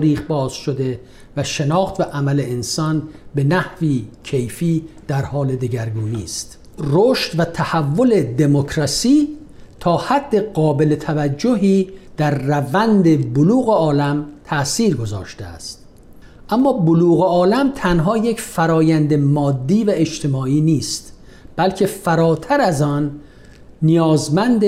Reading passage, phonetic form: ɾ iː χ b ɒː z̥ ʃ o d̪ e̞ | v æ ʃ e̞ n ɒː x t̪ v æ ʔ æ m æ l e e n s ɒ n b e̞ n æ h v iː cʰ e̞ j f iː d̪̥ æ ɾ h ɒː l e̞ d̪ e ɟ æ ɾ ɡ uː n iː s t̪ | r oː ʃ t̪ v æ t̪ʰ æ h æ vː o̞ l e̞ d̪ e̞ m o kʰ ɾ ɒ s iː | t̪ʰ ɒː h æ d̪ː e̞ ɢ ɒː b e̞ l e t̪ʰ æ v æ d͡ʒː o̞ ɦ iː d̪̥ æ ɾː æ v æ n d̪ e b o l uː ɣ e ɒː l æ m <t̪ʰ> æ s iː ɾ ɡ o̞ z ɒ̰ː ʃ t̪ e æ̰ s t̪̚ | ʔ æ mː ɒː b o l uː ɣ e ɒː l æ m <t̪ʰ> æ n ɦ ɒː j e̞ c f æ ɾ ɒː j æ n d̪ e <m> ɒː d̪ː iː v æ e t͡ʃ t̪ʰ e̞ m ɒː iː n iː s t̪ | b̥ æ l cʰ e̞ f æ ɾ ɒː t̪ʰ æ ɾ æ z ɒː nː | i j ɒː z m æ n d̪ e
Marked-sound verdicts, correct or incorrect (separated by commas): correct, correct, correct